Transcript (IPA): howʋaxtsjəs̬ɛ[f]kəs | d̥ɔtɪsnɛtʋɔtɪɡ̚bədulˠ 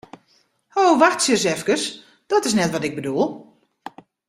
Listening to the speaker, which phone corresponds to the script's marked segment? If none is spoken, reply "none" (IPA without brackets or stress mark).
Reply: f